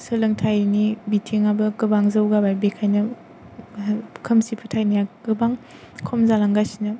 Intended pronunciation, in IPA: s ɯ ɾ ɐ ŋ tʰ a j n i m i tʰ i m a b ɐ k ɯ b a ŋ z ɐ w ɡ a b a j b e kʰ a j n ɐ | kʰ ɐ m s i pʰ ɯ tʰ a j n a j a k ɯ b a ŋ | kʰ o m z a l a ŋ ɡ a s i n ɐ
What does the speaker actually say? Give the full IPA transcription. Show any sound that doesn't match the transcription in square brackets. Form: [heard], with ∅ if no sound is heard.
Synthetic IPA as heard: s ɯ [l] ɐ ŋ tʰ a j n i [b] i tʰ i [ŋ] a b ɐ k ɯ b a ŋ z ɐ w ɡ a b a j b e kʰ a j n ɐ | kʰ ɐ m s i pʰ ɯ tʰ a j n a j a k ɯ b a ŋ | kʰ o m z a l a ŋ ɡ a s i n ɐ